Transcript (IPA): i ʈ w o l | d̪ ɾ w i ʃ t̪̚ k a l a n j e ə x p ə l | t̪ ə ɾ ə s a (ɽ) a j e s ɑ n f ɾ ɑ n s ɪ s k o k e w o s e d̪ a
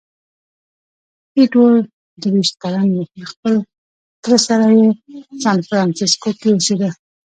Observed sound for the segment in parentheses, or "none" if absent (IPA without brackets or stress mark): ɾ